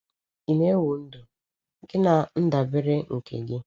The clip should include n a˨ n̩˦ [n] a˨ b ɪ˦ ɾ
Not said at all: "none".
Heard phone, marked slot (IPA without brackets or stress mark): d